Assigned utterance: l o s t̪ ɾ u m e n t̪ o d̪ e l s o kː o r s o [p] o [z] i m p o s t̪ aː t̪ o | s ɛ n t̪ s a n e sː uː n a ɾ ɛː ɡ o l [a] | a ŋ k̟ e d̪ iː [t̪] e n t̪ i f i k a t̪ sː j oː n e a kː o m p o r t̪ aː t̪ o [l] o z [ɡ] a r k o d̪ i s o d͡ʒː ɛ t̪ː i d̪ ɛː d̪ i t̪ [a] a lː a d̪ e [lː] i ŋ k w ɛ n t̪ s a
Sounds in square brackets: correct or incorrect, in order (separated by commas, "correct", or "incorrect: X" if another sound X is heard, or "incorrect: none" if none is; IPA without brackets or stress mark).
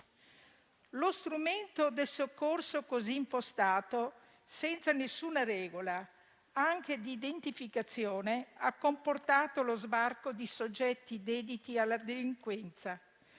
incorrect: k, correct, correct, incorrect: d̪, correct, incorrect: b, incorrect: i, incorrect: l